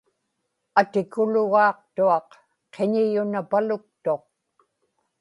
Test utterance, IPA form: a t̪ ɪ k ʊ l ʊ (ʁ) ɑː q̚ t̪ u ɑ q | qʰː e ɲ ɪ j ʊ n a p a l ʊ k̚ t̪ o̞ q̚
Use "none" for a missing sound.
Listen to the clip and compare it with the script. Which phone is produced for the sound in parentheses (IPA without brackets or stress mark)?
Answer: ɣ